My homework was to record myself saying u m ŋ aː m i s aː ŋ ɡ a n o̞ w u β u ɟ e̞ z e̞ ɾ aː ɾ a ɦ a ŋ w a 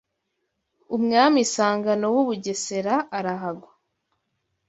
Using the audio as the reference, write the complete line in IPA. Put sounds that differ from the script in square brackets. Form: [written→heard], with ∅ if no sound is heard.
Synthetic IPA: u m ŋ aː m i s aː ŋ ɡ a n o̞ w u β u ɟ e̞ [z→s] e̞ ɾ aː ɾ a ɦ a [ŋ→ɡ] w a

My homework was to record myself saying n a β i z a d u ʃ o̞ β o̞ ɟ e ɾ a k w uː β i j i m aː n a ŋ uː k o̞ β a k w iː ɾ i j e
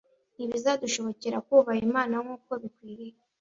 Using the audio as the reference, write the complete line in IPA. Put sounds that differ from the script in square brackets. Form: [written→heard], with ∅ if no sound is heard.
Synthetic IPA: n [a→i] β i z a d u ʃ o̞ β o̞ [ɟ→c] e ɾ a k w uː β [i→a] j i m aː n a ŋ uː k o̞ β [a→i] k w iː ɾ i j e

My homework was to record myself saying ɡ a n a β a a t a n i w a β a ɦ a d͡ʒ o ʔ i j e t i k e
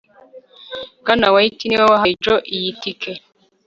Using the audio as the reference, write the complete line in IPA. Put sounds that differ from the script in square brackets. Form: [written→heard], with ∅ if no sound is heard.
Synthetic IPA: ɡ a n a [β→w] a [a→i] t [a→i] n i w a [β→w] a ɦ a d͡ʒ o ʔ i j [e→i] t i k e

